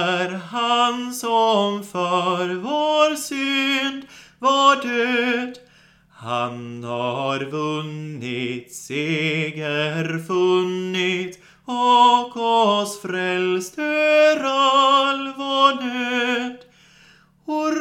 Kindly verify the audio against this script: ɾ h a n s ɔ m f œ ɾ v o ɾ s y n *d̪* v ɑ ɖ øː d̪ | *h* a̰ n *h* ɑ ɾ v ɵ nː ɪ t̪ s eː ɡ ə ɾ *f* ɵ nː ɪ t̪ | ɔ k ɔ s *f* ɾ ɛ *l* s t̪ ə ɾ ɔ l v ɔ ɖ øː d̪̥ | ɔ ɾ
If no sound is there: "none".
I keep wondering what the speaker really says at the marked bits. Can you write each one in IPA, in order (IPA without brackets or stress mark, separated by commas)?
d̪, h, h, f, f, l